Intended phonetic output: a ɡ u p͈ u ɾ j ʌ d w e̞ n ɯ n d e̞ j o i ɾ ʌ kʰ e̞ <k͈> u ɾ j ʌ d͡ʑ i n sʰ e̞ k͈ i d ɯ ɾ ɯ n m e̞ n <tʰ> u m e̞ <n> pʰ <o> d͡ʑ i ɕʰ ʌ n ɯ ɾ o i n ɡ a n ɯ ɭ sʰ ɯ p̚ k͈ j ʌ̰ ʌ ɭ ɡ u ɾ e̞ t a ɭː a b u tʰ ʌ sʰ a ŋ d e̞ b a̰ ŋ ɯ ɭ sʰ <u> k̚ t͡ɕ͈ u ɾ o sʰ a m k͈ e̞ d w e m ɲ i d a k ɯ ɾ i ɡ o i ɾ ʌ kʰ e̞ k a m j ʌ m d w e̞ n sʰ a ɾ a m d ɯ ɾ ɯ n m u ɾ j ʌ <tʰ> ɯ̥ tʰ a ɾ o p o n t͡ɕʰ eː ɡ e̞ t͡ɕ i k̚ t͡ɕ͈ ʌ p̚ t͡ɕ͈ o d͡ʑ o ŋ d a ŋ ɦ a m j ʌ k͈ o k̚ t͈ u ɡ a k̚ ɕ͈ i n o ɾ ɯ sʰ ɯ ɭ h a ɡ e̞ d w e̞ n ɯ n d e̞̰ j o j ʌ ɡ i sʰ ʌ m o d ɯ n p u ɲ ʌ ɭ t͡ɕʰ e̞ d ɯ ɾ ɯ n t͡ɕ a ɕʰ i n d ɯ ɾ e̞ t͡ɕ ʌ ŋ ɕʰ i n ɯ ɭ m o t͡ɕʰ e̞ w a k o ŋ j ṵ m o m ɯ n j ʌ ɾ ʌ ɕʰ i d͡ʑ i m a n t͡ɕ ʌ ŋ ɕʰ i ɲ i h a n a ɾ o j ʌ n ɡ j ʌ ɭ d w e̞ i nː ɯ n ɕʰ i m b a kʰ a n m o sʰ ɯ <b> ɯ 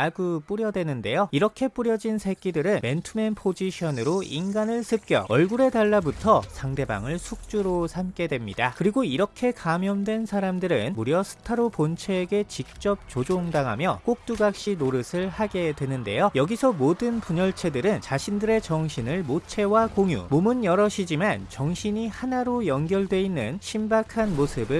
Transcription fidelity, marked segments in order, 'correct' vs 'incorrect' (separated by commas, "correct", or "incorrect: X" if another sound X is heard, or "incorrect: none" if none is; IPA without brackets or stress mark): incorrect: p͈, correct, correct, correct, correct, incorrect: sʰ, correct